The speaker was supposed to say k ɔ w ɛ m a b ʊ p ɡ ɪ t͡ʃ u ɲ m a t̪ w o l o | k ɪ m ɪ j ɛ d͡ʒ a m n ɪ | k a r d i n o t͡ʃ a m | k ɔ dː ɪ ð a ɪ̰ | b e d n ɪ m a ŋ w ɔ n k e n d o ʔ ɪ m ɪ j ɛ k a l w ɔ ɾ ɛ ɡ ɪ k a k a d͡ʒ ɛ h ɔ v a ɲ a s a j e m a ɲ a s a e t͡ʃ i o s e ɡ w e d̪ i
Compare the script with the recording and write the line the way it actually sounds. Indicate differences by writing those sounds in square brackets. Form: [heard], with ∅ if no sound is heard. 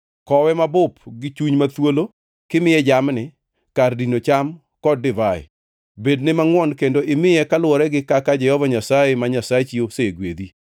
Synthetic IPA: k ɔ w ɛ m a b ʊ p ɡ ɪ t͡ʃ u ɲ m a t̪ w o l o | k ɪ m ɪ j ɛ d͡ʒ a m n ɪ | k a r d i n o t͡ʃ a m | k ɔ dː ɪ [v] a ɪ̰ | b e d n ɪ m a ŋ w ɔ n k e n d o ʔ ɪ m ɪ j ɛ k a l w ɔ ɾ ɛ ɡ ɪ k a k a d͡ʒ ɛ h ɔ v a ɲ a s a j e m a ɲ a s a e t͡ʃ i o s e ɡ w e d̪ i